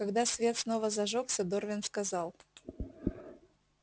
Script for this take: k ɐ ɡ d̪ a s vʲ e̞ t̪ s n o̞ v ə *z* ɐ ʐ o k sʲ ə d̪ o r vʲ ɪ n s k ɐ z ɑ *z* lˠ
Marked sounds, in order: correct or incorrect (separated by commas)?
correct, incorrect